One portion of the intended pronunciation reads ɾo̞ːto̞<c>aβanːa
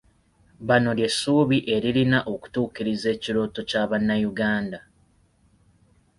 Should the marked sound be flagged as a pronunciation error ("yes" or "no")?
no